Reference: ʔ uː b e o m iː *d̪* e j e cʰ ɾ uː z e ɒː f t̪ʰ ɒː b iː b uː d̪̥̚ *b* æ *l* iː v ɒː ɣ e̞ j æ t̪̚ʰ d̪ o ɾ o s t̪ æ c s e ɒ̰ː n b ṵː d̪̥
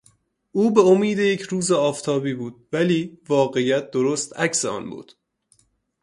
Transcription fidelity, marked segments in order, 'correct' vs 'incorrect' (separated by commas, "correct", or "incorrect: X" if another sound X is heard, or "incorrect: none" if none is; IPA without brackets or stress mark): correct, incorrect: v, correct